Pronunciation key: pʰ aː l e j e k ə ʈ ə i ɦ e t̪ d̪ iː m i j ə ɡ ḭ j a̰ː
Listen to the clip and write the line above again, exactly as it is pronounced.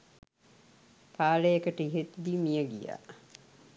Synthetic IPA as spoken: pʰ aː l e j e k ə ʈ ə i ɦ e t̪ d̪ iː m i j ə ɡ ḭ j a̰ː